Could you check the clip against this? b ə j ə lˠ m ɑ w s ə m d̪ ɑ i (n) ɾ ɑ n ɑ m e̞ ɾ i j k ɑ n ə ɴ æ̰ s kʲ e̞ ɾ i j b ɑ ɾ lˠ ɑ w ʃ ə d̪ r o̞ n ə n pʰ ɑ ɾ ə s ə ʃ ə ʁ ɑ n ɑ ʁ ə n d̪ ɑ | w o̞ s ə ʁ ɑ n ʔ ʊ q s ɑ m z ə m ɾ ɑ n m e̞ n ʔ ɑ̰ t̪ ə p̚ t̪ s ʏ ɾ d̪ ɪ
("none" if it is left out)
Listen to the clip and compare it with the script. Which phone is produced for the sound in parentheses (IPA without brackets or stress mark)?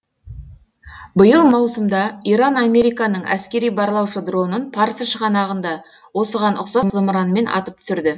none